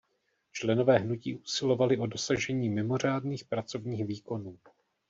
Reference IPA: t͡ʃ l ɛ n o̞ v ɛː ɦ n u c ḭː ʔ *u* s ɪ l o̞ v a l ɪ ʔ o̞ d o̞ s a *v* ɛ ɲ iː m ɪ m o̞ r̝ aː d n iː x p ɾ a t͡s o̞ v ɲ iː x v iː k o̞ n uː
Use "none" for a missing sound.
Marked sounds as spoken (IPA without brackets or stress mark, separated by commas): u, ʒ